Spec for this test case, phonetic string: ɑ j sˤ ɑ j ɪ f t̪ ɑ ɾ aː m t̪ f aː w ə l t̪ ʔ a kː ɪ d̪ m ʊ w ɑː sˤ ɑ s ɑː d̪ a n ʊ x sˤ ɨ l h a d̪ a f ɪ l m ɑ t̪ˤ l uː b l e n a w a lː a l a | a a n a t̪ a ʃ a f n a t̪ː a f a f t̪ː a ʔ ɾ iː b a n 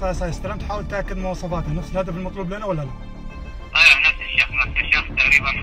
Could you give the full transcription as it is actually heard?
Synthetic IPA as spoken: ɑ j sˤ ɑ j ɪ s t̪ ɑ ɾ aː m t̪ ħ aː w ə l t̪ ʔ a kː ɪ d̪ m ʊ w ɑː sˤ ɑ f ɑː t̪ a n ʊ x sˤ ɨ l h a d̪ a f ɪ l m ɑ t̪ˤ l uː b l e n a w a lː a l a | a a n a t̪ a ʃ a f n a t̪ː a ʃ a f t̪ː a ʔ ɾ iː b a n